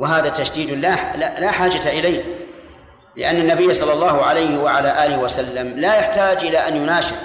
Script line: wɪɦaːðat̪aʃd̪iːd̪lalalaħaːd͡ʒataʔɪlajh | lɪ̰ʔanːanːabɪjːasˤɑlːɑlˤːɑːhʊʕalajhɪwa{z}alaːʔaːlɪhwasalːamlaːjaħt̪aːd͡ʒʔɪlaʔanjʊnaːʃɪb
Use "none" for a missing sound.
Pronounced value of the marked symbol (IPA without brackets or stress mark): ʕ